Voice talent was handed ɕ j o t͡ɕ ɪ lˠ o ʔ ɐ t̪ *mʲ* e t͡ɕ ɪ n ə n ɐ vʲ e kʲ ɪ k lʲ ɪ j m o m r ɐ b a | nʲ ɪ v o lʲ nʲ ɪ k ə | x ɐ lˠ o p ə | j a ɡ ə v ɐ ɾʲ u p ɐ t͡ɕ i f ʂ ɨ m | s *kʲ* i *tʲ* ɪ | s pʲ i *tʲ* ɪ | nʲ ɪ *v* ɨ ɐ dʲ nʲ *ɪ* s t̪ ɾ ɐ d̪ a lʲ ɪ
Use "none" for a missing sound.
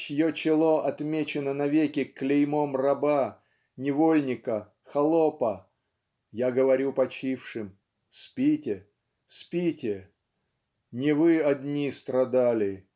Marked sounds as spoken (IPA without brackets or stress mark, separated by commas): mʲ, pʲ, tʲ, tʲ, v, i